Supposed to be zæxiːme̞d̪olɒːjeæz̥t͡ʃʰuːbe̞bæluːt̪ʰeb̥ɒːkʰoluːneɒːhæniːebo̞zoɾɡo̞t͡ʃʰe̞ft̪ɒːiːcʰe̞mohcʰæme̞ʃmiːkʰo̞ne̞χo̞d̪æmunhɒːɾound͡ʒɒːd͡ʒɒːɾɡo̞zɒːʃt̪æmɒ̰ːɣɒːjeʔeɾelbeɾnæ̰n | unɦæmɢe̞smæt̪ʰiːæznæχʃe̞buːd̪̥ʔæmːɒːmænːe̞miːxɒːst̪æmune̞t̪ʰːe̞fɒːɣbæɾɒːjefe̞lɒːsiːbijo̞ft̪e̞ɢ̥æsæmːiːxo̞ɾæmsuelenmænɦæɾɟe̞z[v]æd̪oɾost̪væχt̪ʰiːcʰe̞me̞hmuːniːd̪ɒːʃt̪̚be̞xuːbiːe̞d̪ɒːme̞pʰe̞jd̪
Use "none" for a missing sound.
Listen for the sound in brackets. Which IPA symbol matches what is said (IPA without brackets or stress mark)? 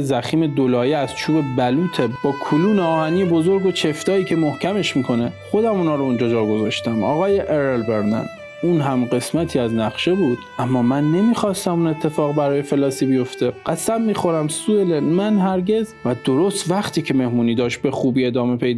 v